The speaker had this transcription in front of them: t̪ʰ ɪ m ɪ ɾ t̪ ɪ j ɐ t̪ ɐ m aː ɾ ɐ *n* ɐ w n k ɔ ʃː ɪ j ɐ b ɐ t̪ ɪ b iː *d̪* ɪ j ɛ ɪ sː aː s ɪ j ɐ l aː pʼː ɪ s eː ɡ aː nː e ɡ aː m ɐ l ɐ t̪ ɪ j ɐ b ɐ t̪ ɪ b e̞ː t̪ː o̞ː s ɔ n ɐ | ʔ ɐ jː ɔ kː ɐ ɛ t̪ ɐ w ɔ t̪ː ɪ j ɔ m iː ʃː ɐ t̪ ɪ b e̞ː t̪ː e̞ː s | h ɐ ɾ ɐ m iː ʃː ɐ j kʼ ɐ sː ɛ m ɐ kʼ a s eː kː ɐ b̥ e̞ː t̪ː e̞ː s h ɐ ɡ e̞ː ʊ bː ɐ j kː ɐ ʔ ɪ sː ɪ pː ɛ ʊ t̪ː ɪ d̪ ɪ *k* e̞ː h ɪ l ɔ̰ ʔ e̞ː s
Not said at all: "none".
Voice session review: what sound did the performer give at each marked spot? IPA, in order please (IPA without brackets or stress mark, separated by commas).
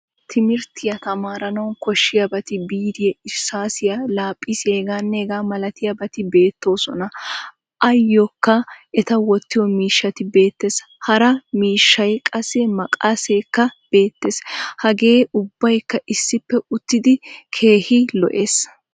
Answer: n, d̪, kʰ